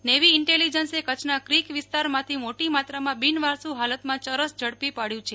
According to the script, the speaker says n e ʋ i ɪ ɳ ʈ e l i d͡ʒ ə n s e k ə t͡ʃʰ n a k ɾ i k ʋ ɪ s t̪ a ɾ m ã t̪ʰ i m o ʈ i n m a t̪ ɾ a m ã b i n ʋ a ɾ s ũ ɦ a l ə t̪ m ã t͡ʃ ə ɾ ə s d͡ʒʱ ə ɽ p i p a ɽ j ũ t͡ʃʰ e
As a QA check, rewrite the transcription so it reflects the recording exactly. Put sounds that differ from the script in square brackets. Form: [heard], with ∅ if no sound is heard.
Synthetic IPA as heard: n e ʋ i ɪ ɳ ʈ e l i d͡ʒ ə n s e k ə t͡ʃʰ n a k ɾ i k ʋ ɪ s t̪ a ɾ m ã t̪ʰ i m o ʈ i [∅] m a t̪ ɾ a m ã b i n ʋ a ɾ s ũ ɦ a l ə t̪ m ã t͡ʃ ə ɾ ə s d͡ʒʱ ə ɽ p i p a ɽ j ũ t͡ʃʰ e